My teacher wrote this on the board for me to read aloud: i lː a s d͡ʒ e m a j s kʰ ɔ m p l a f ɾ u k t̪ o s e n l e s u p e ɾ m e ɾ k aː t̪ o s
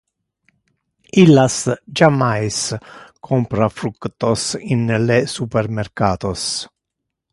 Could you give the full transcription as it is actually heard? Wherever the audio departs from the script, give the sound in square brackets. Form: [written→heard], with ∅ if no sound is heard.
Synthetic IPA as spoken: i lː a s d͡ʒ [e→a] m a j s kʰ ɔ m p [l→ɾ] a f ɾ u k t̪ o s [e→i] n l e s u p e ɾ m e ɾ k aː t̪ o s